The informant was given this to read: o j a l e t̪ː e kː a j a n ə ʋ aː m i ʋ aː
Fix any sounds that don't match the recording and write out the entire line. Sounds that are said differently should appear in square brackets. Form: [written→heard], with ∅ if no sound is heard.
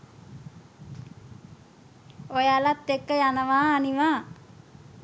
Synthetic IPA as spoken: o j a l [e→a] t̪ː e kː [a→ə] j a n ə ʋ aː [m→n] i ʋ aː